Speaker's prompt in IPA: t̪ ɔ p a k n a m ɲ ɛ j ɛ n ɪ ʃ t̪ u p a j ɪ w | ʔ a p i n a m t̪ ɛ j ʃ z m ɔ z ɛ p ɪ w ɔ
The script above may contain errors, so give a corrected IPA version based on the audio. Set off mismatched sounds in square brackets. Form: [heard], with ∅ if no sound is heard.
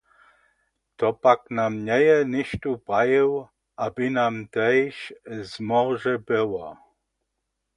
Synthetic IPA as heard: t̪ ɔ p a k n a m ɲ ɛ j ɛ n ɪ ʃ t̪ u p a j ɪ w | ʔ a [b] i n a m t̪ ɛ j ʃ z m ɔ [ʒ] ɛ [b] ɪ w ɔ